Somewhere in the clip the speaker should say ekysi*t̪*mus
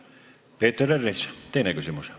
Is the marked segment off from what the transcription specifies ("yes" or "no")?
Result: yes